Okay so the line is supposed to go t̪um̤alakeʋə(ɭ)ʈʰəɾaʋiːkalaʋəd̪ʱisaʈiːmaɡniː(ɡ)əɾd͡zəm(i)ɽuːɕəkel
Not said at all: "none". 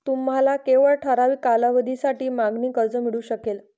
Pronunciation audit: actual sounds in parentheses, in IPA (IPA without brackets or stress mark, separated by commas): ɭ, k, i